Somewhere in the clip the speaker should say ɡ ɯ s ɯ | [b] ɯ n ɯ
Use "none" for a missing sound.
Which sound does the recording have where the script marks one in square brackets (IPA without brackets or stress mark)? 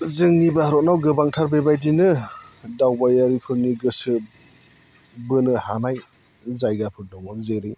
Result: b